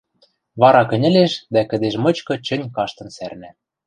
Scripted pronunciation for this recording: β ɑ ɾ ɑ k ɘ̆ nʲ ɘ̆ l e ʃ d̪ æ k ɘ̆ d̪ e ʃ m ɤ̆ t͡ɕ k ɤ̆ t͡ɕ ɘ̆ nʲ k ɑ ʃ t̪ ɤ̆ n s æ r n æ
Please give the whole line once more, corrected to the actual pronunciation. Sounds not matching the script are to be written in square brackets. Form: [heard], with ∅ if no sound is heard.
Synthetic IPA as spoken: β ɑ ɾ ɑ k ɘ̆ nʲ ɘ̆ l e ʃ d̪ æ k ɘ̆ d̪ e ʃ m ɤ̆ t͡ɕ k ɤ̆ t͡ɕ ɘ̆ nʲ k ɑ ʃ t̪ ɤ̆ n s æ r n æ